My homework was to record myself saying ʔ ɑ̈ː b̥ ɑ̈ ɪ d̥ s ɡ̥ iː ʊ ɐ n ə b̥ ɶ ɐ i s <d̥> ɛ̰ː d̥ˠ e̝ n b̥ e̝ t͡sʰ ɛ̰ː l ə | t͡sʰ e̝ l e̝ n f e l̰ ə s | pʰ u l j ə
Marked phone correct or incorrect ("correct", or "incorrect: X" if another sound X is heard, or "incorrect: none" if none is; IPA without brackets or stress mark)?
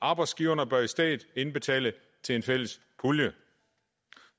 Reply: correct